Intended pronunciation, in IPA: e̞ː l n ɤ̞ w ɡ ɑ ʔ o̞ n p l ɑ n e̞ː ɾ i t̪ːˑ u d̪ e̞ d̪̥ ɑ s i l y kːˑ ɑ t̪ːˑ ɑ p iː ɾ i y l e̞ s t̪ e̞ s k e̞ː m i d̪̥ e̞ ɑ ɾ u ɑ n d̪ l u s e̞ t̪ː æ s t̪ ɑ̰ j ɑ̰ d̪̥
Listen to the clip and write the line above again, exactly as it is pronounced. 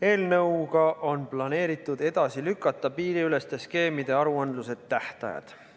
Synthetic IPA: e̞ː l n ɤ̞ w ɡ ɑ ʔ o̞ n p l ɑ n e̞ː ɾ i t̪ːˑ u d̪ e̞ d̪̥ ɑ s i l y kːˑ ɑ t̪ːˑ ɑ p iː ɾ i y l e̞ s t̪ e̞ s k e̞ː m i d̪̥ e̞ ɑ ɾ u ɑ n d̪ l u s e̞ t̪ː æ h t̪ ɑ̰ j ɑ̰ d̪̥